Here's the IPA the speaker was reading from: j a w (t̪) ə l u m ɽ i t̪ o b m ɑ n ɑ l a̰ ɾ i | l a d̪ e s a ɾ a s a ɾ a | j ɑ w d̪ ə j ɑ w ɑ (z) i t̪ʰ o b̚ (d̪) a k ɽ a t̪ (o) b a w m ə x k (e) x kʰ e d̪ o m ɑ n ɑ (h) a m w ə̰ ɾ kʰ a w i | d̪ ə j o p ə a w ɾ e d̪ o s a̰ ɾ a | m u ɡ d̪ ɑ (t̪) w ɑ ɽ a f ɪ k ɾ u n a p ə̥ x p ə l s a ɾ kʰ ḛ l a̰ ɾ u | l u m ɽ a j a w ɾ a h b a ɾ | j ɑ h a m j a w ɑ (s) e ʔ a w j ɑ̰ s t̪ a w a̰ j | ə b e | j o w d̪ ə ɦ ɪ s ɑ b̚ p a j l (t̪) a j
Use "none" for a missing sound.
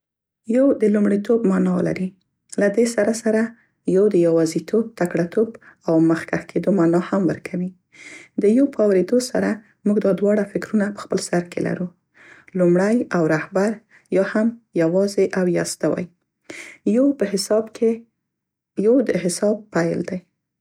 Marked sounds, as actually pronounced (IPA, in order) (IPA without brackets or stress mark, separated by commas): d̪, z, t̪, o, a, h, d̪, z, d̪